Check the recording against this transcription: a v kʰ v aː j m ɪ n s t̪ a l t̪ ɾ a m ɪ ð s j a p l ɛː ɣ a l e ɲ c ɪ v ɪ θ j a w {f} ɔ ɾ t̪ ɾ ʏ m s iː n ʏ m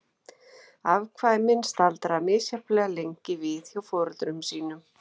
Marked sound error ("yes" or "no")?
no